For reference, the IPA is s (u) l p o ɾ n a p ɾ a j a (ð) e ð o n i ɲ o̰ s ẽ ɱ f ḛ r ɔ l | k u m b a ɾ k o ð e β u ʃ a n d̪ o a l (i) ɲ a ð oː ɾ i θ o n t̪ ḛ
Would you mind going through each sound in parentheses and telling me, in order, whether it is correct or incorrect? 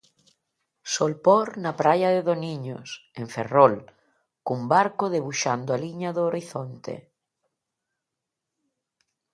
incorrect, correct, correct

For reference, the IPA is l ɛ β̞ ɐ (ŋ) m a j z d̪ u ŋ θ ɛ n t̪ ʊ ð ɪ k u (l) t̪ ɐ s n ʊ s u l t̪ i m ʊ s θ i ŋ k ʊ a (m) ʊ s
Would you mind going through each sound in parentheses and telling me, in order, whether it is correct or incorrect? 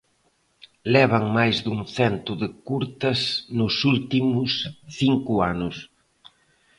correct, incorrect, incorrect

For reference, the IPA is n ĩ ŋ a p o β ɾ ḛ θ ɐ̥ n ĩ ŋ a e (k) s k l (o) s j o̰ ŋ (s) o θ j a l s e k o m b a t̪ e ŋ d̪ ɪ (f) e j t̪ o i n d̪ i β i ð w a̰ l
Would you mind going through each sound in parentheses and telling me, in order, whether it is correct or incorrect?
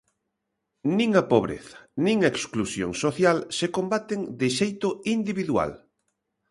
correct, incorrect, correct, incorrect

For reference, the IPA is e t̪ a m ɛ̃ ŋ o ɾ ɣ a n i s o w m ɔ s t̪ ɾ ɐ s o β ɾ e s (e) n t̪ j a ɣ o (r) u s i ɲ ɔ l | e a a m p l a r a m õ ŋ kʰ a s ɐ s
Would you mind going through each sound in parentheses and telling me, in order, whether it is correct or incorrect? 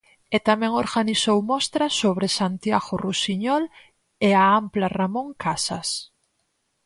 incorrect, correct

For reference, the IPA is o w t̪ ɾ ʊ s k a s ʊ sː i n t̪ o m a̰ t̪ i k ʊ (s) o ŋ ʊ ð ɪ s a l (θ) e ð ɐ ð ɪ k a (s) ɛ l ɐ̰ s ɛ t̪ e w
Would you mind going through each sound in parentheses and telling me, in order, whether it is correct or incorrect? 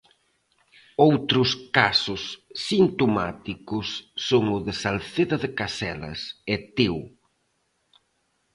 incorrect, correct, correct

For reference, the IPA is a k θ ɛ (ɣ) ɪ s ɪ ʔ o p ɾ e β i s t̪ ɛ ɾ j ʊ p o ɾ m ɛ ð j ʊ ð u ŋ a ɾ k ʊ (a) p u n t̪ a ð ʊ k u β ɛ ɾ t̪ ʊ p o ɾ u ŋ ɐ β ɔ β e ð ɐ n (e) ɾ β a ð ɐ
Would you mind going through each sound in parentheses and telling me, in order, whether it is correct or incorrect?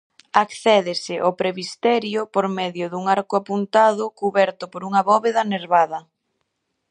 incorrect, correct, correct

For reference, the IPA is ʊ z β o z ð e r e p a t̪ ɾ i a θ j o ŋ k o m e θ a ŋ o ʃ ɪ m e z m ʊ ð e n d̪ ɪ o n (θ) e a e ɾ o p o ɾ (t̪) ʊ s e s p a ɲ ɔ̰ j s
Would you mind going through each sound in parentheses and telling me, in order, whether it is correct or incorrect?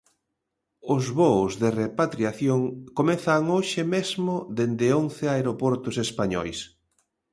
correct, correct

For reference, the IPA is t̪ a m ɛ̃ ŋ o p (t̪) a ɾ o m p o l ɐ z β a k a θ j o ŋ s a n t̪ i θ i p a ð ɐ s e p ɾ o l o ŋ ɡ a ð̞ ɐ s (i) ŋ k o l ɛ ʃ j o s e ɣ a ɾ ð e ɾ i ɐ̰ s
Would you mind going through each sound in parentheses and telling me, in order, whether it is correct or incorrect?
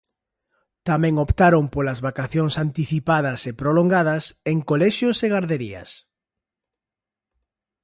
correct, incorrect

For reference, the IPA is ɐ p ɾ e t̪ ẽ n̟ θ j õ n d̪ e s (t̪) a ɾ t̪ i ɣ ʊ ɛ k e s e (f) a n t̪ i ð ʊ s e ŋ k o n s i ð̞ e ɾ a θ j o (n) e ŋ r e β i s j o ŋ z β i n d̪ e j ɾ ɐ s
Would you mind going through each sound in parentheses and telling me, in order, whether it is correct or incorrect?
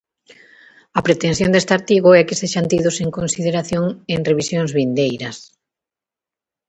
correct, incorrect, incorrect

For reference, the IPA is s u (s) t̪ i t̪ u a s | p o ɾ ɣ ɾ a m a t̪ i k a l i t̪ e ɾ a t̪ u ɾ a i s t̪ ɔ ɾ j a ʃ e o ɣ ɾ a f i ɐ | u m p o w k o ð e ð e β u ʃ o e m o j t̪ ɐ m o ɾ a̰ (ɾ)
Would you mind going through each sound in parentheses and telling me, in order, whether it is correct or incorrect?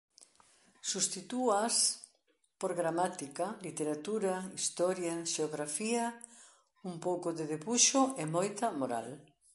correct, incorrect

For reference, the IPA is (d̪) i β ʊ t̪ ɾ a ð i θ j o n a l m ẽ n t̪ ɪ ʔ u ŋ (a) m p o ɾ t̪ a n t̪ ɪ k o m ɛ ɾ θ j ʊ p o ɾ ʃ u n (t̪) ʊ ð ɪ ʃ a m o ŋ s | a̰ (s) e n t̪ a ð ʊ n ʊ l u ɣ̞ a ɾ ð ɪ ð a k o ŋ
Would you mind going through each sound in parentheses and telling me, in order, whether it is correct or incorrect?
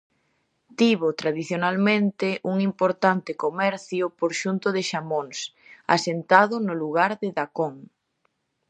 incorrect, incorrect, correct, correct

